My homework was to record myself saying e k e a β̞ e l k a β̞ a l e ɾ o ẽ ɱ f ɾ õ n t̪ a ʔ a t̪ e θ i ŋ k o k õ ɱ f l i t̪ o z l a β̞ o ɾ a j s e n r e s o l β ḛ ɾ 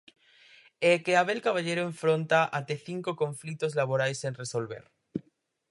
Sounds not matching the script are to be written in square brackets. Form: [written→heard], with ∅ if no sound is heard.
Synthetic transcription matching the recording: e k e a β̞ e l k a β̞ a [l→ʎ] e ɾ o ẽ ɱ f ɾ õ n t̪ a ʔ a t̪ e θ i ŋ k o k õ ɱ f l i t̪ o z l a β̞ o ɾ a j s e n r e s o l β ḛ ɾ